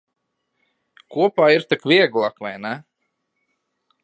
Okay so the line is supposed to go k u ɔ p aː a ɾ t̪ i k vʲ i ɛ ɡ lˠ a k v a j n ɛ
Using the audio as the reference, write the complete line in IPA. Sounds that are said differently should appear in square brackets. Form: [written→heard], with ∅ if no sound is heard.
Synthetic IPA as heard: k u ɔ p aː [a→i] ɾ t̪ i k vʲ i ɛ ɡ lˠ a k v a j n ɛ